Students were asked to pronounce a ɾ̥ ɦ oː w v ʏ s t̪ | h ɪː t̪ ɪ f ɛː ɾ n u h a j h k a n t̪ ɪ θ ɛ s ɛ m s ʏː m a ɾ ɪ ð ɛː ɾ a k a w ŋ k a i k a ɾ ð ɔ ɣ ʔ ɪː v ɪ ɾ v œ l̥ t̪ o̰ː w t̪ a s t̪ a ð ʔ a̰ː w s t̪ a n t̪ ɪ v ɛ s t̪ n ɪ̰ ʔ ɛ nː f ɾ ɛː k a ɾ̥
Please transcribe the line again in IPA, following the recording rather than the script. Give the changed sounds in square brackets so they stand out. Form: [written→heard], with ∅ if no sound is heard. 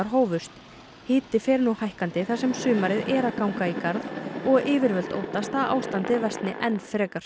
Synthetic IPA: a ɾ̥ ɦ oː w v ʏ s t̪ | h ɪː t̪ ɪ f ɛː ɾ n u h a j h k a n t̪ ɪ θ [ɛ→a] s ɛ m s ʏː m a ɾ ɪ ð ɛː ɾ a k a w ŋ k a i k a ɾ ð ɔ ɣ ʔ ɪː v ɪ ɾ v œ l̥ t̪ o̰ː w t̪ a s t̪ a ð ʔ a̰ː w s t̪ a n t̪ ɪ v ɛ s t̪ n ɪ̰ ʔ ɛ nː f ɾ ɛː k a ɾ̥

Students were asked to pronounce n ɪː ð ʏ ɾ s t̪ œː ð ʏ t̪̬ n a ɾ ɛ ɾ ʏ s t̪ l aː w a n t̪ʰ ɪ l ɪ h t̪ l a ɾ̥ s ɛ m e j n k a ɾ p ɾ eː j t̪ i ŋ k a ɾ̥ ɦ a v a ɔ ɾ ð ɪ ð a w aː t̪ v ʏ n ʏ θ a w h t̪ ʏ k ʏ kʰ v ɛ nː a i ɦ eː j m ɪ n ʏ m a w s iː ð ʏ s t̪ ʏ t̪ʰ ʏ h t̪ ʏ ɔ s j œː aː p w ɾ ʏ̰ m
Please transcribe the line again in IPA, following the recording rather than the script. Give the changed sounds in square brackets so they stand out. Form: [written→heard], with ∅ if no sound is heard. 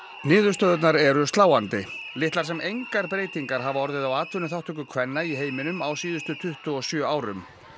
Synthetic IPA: n ɪː ð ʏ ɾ s t̪ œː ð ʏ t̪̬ n a ɾ ɛ ɾ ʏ s t̪ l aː w a n [t̪ʰ→t̪] ɪ l ɪ h t̪ l a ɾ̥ s ɛ m e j [n→ŋ] k a ɾ p ɾ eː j t̪ i ŋ k a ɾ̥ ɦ a v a ɔ ɾ ð ɪ ð a w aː t̪ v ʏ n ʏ θ a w h t̪ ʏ k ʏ kʰ v ɛ nː a i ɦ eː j m ɪ n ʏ m a w s iː ð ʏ s t̪ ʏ t̪ʰ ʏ h t̪ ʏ ɔ s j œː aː [p→∅] w ɾ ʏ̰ m

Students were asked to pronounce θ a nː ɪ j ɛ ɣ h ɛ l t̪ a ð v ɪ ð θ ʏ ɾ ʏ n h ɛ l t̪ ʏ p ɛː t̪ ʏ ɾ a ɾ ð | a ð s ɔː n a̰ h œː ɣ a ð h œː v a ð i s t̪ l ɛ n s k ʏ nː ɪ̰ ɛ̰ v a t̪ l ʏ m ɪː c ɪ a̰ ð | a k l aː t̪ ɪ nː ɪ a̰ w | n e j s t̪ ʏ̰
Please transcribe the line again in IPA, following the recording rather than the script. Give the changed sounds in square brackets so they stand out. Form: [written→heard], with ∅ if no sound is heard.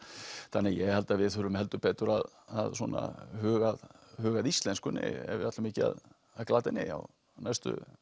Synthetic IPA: θ a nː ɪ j ɛ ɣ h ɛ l t̪ a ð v ɪ ð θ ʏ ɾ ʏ [n→m] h ɛ l t̪ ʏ p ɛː t̪ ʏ ɾ a [ɾ→∅] ð | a ð s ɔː n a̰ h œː ɣ a ð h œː [v→ɣ] a ð i s t̪ l ɛ n s k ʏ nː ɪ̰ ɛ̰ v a t̪ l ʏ m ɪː c ɪ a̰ ð | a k l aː t̪ ɪ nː ɪ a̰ w | n [e→a] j s t̪ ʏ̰

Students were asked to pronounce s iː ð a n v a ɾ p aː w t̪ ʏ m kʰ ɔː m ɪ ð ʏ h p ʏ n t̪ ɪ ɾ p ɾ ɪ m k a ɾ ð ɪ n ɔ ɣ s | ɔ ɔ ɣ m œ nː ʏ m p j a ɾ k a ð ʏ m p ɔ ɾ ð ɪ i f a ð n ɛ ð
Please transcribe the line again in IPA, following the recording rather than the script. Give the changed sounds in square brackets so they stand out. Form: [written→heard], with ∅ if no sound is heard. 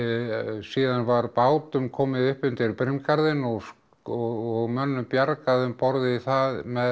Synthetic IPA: s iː ð a n v a ɾ p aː w t̪ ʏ m kʰ ɔː m ɪ ð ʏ h p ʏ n t̪ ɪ ɾ p ɾ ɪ m k a ɾ ð ɪ n ɔ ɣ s | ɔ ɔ ɣ m œ nː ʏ m p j a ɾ k a ð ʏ m p ɔ ɾ ð ɪ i [f→θ] a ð [n→m] ɛ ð

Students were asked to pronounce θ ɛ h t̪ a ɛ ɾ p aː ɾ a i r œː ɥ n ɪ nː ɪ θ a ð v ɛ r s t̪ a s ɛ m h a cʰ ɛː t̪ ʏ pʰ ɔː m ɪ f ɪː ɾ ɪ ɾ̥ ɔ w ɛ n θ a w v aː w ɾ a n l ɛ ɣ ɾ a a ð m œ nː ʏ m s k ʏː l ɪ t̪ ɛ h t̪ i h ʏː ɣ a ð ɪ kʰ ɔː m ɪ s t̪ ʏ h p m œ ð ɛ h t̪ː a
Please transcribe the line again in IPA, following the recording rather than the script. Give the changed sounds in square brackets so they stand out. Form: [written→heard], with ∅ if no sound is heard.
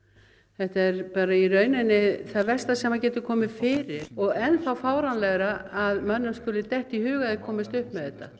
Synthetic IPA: θ ɛ h t̪ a ɛ ɾ p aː ɾ a i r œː ɥ n ɪ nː ɪ θ a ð v ɛ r s t̪ a s ɛ m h a [cʰ→c] ɛː t̪ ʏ [pʰ→kʰ] ɔː m ɪ f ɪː ɾ ɪ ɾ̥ ɔ [w→ɣ] ɛ n θ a w [v→f] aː w ɾ a n l ɛ ɣ ɾ a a ð m œ nː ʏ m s k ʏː l ɪ t̪ ɛ h t̪ i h ʏː ɣ a ð ɪ kʰ ɔː m ɪ s t̪ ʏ h p m [œ→ɛ] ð ɛ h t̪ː a

